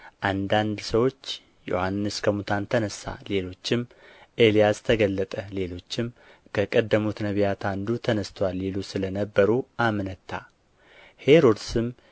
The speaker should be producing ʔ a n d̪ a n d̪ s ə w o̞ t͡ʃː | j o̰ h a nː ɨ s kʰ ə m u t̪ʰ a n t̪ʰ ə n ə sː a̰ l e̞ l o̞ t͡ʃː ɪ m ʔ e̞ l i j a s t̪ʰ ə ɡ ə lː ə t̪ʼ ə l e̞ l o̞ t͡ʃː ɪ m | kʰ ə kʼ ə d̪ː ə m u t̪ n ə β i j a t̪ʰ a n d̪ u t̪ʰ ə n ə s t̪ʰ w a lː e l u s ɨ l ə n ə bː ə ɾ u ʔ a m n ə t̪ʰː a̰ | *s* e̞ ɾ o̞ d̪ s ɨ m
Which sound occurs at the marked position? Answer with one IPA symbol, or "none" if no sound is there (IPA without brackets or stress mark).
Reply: h